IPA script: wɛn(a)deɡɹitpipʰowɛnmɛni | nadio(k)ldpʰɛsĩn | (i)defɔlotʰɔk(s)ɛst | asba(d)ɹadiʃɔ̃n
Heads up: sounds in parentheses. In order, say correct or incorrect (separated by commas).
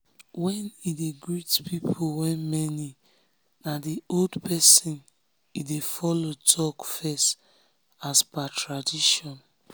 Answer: incorrect, incorrect, correct, incorrect, incorrect